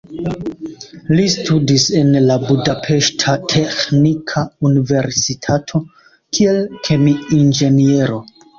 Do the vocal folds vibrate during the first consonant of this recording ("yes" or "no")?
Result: yes